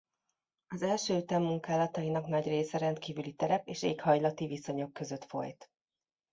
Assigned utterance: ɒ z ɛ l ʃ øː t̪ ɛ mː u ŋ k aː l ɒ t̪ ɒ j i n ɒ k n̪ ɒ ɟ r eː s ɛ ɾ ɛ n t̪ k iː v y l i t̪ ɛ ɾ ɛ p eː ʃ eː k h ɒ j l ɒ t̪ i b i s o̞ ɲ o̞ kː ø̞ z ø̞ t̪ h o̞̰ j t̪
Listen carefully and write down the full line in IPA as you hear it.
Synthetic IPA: ɒ z ɛ l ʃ øː t̪ ɛ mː u ŋ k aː l ɒ t̪ ɒ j i n ɒ k n̪ ɒ ɟ r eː s ɛ ɾ ɛ n t̪ k iː v y l i t̪ ɛ ɾ ɛ p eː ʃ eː k h ɒ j l ɒ t̪ i v i s o̞ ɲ o̞ kː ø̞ z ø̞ t̪ f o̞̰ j t̪